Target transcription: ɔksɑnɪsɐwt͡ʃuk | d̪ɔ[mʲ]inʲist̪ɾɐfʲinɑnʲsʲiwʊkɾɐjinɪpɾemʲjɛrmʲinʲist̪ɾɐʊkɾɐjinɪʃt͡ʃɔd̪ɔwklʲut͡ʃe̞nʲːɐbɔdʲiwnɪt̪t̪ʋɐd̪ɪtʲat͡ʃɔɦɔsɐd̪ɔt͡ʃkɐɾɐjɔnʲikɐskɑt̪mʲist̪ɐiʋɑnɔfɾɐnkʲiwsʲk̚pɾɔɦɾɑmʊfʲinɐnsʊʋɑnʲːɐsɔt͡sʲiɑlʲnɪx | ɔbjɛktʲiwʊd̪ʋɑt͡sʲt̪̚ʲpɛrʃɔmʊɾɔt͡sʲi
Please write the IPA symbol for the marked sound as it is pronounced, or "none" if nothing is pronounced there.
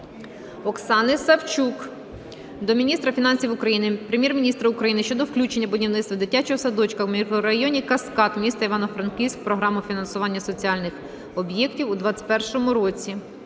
mʲ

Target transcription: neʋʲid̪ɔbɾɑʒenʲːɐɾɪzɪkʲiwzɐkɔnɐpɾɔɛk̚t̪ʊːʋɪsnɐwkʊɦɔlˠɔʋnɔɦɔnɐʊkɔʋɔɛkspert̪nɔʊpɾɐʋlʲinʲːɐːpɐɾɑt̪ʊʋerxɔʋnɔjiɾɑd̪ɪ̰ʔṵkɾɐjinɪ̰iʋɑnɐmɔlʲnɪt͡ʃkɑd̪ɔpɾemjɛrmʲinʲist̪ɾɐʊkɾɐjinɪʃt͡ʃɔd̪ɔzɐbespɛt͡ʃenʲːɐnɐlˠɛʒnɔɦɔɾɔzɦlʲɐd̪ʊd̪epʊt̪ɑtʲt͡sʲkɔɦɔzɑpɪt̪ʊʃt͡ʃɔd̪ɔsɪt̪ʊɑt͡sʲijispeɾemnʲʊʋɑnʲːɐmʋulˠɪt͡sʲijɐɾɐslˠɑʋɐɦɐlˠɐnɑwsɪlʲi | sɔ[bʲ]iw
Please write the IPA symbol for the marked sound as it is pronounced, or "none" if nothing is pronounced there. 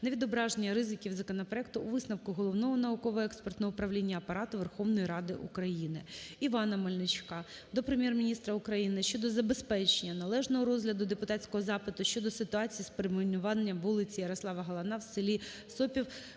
pʲ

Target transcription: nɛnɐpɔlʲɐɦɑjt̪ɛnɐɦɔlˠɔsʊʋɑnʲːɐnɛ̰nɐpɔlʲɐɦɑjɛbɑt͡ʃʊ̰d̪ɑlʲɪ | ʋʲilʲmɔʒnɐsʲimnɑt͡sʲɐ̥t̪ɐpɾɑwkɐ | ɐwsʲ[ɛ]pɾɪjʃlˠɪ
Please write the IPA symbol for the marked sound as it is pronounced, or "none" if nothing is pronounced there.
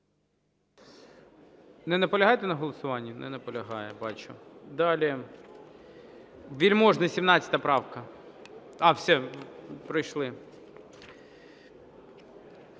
ɛ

